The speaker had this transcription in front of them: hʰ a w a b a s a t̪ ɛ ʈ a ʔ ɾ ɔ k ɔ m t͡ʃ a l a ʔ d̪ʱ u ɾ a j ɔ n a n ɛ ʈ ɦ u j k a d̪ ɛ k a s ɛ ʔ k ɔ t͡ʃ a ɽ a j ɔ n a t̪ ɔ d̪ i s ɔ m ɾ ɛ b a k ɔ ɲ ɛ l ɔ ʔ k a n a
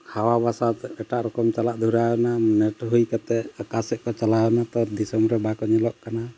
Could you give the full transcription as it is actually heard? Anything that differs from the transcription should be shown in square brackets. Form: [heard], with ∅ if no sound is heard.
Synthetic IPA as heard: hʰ a w a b a s a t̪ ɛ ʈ a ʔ ɾ ɔ k ɔ m t͡ʃ a l a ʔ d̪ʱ u ɾ a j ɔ n a n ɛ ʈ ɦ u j k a [t̪] ɛ k a s ɛ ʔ k ɔ t͡ʃ a [l] a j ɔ n a t̪ ɔ d̪ i s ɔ m ɾ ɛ b a k ɔ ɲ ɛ l ɔ ʔ k a n a